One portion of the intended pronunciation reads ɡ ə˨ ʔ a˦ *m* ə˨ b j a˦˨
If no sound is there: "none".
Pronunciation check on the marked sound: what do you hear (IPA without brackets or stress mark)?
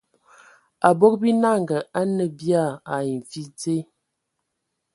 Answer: n